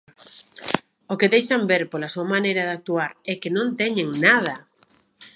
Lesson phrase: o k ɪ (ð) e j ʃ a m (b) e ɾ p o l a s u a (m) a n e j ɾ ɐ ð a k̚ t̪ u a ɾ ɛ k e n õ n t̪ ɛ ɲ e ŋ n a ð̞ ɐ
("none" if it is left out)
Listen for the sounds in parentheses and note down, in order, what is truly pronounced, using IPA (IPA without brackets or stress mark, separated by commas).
ð, b, m